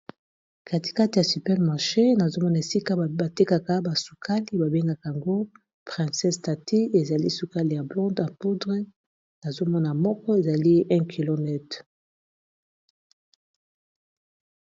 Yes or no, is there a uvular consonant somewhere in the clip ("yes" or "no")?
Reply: yes